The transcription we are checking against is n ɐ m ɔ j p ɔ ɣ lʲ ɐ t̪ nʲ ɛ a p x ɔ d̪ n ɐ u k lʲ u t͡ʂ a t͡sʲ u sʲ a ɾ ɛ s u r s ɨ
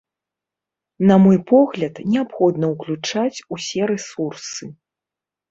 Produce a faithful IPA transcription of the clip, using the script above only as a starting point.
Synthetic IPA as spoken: n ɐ m ɔ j p ɔ ɣ lʲ ɐ t̪ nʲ ɛ a p x ɔ d̪ n ɐ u k lʲ u t͡ʂ a t͡sʲ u sʲ ɛ ɾ ɛ s u r s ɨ